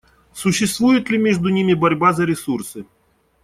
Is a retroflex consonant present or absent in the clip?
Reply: present